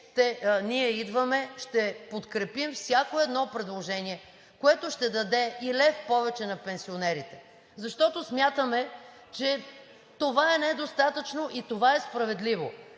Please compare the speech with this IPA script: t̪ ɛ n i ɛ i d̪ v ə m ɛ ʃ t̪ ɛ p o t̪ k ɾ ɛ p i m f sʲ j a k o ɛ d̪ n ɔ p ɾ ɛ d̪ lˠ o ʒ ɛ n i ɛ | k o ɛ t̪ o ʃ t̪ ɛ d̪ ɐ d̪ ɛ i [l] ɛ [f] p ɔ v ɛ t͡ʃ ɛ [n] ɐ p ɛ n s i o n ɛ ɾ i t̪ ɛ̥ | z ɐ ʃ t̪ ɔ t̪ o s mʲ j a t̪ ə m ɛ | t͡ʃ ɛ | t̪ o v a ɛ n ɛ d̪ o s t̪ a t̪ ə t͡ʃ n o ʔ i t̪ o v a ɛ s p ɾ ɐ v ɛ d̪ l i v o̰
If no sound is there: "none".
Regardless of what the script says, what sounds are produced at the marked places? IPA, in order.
l, f, n

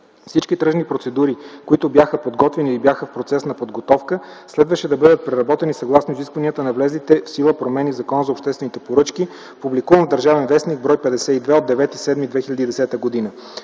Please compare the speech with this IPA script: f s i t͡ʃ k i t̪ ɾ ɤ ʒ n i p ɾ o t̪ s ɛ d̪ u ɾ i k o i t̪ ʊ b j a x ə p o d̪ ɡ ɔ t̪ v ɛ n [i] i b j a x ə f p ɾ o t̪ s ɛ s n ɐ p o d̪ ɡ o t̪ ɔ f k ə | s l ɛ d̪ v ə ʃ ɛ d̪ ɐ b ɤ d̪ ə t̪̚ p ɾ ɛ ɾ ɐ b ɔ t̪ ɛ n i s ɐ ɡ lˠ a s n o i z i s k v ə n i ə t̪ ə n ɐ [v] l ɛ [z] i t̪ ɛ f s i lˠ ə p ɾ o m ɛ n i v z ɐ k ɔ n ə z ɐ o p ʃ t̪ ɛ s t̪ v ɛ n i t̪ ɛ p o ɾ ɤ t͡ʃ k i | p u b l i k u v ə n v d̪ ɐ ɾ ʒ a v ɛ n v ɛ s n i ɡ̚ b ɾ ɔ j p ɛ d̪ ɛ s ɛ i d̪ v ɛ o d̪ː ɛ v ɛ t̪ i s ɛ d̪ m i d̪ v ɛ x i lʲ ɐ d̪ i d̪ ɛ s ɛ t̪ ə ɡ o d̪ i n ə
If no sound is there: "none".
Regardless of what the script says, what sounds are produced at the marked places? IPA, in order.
i, v, z

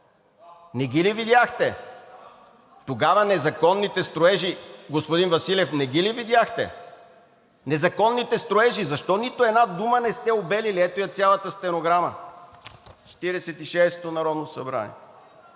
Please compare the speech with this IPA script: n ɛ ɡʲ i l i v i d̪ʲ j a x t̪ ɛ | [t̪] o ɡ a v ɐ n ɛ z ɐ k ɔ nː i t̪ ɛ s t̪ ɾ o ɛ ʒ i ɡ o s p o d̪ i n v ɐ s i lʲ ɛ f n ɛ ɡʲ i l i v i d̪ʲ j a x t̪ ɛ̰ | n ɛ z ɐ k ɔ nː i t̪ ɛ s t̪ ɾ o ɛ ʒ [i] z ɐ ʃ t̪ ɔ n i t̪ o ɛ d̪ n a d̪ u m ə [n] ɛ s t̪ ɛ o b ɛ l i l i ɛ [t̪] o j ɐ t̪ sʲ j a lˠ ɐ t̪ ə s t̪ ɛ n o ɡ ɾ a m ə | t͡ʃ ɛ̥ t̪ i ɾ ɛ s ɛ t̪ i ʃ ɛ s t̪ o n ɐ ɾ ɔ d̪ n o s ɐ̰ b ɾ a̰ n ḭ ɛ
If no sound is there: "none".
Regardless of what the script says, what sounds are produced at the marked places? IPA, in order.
t̪, i, n, t̪

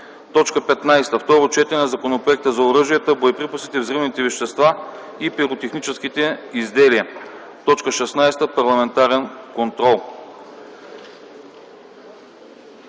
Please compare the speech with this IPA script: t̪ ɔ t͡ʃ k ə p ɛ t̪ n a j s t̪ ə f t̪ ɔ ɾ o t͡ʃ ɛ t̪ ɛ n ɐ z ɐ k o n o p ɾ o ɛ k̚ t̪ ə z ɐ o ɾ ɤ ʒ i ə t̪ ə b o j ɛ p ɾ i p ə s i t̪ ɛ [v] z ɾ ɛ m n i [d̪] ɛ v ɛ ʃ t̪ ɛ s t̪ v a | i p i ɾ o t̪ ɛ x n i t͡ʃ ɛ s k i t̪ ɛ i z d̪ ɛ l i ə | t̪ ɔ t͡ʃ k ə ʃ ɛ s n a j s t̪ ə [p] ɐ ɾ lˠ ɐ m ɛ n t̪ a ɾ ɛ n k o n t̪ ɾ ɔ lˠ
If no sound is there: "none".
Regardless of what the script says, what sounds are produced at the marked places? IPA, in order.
v, t̪, p

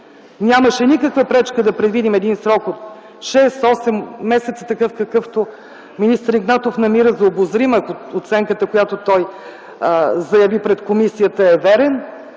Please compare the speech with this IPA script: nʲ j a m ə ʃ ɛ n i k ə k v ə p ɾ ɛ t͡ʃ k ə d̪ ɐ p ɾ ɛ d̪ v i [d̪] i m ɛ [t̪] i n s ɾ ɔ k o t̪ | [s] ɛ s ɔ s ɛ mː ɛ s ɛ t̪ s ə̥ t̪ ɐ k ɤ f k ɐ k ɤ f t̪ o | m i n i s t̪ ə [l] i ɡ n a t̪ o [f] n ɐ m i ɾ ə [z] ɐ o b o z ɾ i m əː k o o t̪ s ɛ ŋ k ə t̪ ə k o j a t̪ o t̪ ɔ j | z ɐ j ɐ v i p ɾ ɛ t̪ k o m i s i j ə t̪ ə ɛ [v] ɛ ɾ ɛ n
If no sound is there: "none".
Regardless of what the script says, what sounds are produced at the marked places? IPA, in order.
d̪, d̪, ʃ, ɾ, f, z, v

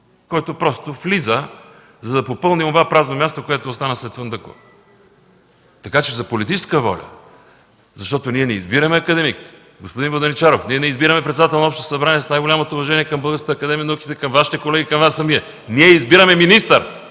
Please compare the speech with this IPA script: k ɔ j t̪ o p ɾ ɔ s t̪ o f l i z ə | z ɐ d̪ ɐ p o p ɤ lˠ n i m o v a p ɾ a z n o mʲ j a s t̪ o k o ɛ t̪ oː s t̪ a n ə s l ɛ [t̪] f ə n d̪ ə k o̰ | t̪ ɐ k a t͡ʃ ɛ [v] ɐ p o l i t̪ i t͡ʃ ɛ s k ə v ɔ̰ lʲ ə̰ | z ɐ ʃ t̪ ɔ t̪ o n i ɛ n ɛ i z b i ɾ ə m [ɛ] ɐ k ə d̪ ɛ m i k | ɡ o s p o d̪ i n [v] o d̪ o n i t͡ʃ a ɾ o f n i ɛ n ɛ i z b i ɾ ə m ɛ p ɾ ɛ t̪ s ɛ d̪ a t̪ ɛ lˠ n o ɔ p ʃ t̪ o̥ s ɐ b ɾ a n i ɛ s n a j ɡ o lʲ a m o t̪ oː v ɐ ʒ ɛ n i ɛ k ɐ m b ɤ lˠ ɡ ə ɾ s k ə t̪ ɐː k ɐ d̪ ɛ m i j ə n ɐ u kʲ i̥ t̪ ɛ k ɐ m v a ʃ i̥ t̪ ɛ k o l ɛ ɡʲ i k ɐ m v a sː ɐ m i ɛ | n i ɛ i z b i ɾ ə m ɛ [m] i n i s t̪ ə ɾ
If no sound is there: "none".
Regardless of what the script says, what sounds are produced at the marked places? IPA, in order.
t̪, z, ɛ, v, m

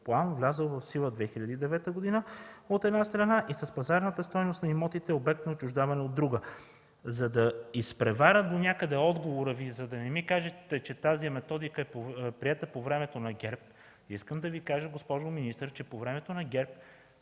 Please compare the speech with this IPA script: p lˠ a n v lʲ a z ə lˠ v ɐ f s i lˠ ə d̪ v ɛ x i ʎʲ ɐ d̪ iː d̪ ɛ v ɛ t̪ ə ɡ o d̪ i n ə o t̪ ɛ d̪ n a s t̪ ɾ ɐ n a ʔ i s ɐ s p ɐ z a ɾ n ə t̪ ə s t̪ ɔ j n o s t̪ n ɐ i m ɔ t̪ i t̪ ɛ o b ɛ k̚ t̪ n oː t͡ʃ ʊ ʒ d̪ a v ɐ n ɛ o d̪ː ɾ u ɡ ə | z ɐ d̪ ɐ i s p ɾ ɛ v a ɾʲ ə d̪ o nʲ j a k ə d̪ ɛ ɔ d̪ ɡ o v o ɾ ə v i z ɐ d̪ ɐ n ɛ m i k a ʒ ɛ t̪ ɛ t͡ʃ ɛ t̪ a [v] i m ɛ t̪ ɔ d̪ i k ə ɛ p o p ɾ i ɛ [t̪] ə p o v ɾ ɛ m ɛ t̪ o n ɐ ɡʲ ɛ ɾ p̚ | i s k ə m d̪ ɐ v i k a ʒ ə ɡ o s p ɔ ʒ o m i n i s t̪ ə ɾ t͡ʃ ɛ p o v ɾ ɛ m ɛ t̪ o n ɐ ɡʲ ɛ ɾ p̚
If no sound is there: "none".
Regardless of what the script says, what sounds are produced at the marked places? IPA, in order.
z, t̪

